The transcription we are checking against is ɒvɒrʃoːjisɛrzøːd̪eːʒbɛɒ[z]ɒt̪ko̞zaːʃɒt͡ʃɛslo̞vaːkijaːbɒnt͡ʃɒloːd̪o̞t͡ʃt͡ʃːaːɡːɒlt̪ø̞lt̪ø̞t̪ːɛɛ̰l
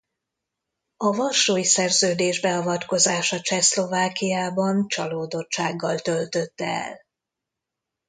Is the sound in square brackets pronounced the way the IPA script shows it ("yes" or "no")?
no